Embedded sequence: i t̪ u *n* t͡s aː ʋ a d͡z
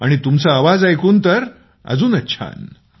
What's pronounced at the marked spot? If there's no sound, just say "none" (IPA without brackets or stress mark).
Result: m